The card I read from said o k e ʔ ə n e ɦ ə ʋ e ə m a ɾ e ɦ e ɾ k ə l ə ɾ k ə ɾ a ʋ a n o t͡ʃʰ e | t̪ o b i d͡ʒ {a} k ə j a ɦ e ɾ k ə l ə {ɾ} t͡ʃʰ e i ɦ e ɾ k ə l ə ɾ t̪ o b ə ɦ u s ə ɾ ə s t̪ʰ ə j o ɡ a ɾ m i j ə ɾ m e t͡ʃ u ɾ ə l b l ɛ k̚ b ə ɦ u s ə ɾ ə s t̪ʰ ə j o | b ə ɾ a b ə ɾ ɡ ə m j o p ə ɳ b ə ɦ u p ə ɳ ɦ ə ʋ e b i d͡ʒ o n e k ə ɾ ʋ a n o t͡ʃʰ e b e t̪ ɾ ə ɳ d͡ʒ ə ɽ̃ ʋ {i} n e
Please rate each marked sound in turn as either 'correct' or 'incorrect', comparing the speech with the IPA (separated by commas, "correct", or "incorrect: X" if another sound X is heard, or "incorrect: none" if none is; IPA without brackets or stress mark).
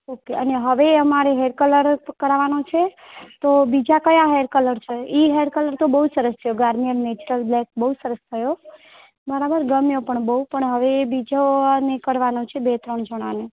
correct, correct, incorrect: a